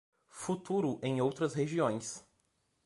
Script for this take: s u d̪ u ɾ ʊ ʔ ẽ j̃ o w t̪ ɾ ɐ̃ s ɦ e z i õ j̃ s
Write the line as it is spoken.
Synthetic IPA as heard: f u t̪ u ɾ ʊ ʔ ẽ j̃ o w t̪ ɾ ɐ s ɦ e ʒ i õ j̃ s